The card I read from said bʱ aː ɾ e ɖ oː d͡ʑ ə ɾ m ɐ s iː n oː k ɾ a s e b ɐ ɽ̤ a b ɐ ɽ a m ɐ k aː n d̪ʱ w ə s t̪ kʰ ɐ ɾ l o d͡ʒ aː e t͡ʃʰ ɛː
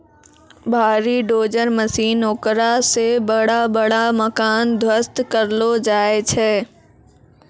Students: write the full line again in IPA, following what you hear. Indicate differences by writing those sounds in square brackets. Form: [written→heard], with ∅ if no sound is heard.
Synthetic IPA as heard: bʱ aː ɾ [e→i] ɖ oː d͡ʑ ə ɾ m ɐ s iː n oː k ɾ a s e b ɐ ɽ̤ a b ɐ ɽ a m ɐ k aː n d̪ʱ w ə s t̪ [kʰ→k] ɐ ɾ l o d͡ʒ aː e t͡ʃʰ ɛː